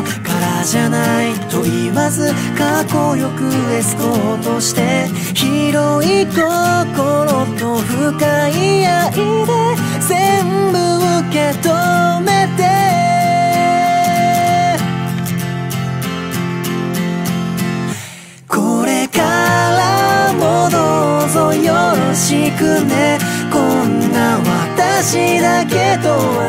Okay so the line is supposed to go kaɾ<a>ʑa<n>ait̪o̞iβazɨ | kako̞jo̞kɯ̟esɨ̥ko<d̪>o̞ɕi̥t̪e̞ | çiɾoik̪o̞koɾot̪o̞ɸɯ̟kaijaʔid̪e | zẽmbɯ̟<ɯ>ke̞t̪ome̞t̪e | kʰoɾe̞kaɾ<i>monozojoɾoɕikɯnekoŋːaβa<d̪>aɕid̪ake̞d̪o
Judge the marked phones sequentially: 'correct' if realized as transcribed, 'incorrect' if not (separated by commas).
correct, correct, incorrect, correct, incorrect, incorrect